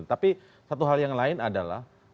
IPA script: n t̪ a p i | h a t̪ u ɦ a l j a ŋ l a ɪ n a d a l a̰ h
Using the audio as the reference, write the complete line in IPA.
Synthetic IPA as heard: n t̪ a p i | s a t̪ u ɦ a l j a ŋ l a ɪ n a d a l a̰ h